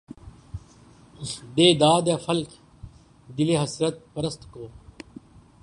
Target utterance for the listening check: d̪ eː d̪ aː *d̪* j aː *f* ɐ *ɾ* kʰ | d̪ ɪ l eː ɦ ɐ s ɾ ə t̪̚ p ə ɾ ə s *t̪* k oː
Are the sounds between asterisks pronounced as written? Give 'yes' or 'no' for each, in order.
yes, yes, no, yes

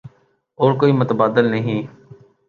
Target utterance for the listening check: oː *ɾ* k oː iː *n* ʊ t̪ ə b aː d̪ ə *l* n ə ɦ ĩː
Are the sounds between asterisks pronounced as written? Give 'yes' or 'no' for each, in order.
yes, no, yes

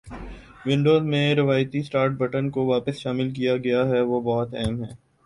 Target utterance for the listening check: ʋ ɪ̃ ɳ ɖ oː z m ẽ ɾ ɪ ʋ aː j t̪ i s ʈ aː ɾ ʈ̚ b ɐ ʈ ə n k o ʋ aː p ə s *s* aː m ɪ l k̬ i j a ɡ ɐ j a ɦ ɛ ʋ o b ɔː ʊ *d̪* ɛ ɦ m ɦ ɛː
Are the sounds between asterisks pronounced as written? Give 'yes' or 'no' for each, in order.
no, no

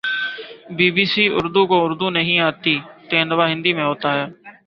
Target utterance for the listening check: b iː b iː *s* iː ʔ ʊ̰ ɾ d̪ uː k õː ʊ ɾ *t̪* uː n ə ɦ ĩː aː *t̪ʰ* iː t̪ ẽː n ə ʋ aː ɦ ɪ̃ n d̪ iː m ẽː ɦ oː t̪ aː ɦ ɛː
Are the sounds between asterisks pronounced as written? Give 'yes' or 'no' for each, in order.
yes, no, no

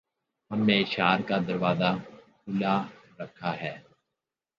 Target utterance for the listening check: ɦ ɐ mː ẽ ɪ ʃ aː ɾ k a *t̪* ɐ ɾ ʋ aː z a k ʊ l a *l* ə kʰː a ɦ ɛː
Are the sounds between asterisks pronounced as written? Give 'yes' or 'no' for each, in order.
no, no

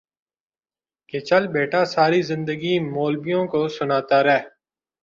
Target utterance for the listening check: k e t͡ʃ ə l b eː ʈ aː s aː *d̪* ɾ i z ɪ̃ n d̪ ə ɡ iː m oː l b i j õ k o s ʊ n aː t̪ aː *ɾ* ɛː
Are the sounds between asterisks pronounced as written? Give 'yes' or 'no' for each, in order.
no, yes

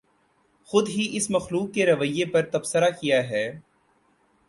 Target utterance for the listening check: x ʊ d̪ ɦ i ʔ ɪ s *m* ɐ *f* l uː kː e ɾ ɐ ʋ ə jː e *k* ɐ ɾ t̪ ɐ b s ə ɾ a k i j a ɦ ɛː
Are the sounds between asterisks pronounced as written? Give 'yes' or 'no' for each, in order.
yes, no, no

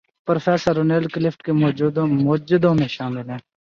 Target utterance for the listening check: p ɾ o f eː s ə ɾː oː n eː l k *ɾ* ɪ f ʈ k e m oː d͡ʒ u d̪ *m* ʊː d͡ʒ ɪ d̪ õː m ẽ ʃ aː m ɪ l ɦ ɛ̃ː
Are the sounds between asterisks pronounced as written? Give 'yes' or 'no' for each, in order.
no, yes

